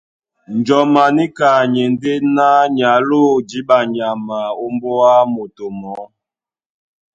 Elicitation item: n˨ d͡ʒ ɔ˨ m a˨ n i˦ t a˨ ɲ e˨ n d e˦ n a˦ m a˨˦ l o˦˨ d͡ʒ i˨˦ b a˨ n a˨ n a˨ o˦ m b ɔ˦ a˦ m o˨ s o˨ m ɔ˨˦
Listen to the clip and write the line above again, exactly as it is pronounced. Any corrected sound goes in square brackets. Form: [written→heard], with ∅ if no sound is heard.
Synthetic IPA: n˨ d͡ʒ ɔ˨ m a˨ n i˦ [t→k] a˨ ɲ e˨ n d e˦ n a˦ [m→ɲ] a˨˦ l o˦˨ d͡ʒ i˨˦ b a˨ [n→ɲ] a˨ [n→m] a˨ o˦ m b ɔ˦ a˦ m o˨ [s→t] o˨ m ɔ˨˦